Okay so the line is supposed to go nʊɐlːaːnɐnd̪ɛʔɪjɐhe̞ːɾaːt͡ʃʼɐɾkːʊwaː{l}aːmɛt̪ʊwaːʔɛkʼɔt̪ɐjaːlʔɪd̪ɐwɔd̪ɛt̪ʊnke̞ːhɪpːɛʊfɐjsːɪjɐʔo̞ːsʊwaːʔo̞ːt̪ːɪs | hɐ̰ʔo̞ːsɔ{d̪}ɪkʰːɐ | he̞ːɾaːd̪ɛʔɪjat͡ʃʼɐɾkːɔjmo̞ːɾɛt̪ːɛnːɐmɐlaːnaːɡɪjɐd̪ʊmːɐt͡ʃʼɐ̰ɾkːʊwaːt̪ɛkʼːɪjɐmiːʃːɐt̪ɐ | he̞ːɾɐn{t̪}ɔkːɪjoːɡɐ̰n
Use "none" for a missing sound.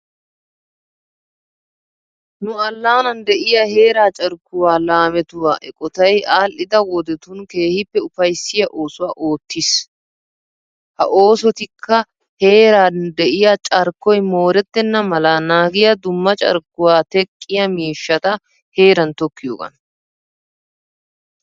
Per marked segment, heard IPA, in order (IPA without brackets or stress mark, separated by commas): l, t̪, t̪